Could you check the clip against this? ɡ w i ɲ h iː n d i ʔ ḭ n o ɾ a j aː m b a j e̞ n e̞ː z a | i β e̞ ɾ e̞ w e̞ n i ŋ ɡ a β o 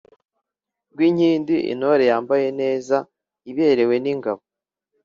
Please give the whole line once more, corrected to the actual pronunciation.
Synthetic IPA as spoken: ɡ w i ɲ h iː n d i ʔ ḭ n o ɾ e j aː m b a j e̞ n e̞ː z a | i β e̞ ɾ e̞ w e̞ n i ŋ ɡ a β o